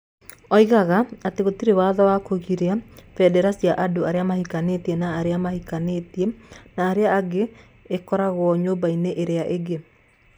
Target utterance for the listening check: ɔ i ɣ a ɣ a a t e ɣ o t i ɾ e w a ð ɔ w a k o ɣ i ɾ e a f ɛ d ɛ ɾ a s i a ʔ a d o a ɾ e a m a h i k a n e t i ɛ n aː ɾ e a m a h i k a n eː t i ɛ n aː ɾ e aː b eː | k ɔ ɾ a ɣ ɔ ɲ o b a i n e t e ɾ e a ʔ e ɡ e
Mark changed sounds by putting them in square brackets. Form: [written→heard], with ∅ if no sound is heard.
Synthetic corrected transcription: ɔ i ɣ a ɣ a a t e ɣ o t i ɾ e w a ð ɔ w a k o ɣ i ɾ e a f ɛ d ɛ ɾ a s i a ʔ a d o a ɾ e a m a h i k a n e t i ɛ n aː ɾ e a m a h i k a n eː t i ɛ n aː ɾ e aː [b→ɡ] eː | k ɔ ɾ a ɣ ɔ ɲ o b a i n e [t→ʔ] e ɾ e a ʔ e ɡ e